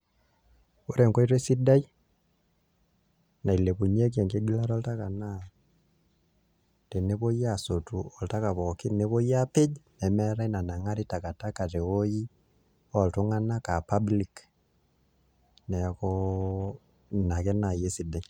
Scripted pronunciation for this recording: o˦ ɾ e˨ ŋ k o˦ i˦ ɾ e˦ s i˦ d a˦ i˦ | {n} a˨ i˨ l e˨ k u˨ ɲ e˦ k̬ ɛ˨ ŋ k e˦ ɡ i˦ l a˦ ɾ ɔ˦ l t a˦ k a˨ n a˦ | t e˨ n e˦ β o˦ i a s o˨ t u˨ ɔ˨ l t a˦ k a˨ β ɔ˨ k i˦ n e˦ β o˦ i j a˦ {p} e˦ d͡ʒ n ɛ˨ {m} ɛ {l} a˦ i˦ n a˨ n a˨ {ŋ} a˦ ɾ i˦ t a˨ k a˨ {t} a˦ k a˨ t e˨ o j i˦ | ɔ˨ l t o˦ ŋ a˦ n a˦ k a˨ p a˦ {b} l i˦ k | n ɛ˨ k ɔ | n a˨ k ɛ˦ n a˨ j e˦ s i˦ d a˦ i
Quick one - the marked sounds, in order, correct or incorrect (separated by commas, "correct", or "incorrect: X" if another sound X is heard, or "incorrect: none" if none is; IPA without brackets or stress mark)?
correct, correct, correct, incorrect: ɾ, correct, correct, correct